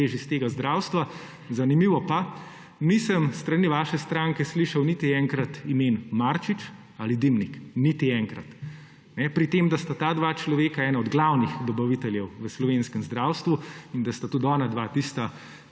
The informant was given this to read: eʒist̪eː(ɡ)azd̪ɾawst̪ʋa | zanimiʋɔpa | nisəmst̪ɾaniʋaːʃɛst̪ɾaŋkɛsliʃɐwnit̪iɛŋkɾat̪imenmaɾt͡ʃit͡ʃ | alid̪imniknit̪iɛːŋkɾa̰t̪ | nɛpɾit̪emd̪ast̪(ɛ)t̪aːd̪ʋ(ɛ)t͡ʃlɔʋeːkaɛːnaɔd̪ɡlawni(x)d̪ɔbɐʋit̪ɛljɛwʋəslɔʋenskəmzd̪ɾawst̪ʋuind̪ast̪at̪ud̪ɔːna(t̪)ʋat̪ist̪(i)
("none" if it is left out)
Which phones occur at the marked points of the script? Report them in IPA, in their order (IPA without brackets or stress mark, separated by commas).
ɡ, a, a, x, d̪, a